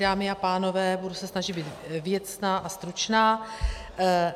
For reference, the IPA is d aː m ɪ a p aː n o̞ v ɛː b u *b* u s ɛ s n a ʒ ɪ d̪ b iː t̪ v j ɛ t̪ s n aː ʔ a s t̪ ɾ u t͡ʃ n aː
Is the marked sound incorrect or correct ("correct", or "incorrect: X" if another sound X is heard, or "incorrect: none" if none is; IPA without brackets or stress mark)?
incorrect: d